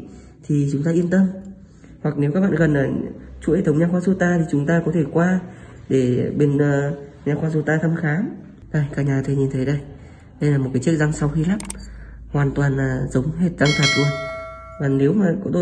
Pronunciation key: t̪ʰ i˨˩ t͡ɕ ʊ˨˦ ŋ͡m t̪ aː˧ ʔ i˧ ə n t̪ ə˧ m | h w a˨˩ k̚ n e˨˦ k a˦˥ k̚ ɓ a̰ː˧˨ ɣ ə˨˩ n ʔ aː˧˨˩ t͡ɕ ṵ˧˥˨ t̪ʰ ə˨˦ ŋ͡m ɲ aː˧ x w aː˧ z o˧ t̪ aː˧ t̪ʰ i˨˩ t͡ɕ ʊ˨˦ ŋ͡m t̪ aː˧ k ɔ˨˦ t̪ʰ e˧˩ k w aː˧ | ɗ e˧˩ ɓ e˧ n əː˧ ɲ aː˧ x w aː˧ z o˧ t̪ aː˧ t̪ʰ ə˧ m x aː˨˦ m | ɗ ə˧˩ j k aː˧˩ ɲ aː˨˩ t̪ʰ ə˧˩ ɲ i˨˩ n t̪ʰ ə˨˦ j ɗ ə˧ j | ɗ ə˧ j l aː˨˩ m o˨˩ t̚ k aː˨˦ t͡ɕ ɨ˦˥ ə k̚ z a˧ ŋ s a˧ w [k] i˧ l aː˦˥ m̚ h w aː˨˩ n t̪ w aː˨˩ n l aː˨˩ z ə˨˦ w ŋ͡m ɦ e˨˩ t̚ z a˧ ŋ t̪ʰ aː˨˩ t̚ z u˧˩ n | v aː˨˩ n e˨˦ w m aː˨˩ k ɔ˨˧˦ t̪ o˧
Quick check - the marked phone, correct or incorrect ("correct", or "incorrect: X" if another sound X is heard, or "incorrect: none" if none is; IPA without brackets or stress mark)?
incorrect: x